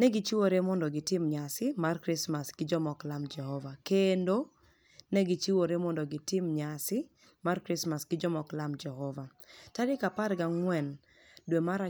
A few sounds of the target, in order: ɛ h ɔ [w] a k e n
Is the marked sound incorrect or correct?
incorrect